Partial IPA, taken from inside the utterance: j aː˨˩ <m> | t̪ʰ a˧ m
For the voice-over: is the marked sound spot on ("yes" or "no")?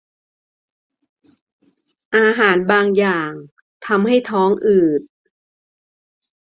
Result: no